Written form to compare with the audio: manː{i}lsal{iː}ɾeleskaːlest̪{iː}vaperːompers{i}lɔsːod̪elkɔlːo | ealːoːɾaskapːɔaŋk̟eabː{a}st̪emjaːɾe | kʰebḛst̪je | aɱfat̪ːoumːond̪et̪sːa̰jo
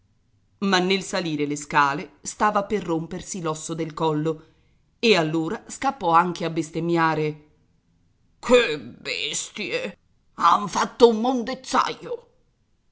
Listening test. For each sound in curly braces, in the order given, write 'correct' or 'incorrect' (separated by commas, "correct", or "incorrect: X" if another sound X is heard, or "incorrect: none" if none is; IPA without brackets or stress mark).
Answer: incorrect: e, correct, incorrect: aː, correct, incorrect: e